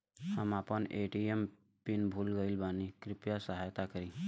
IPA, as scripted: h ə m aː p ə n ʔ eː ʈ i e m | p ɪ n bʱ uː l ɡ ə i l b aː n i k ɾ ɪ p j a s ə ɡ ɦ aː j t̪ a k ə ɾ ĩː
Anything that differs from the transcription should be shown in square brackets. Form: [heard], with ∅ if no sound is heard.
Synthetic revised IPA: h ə m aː p ə n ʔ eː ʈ i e m | p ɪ n bʱ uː l ɡ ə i l b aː n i k ɾ ɪ p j a s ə [∅] ɦ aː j t̪ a k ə ɾ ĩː